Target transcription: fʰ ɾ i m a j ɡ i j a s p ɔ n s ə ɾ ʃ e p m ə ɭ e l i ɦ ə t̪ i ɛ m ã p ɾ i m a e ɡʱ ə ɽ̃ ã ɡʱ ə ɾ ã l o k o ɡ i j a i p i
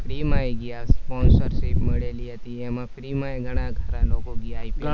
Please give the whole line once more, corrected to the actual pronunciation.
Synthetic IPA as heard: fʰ ɾ i m a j ɡ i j a s p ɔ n s ə ɾ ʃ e p m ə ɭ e l i ɦ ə t̪ i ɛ m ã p ɾ i m a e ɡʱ ə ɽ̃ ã ɡʱ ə ɾ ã l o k o ɡ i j a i p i